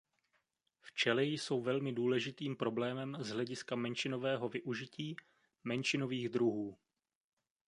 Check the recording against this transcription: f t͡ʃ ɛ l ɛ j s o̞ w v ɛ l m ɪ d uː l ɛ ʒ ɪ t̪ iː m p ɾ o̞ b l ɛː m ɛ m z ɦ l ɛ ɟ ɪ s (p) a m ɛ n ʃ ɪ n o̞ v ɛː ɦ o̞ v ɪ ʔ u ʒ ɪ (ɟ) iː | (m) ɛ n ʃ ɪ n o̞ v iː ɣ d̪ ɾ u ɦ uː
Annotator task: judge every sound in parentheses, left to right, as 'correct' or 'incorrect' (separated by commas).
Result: incorrect, incorrect, correct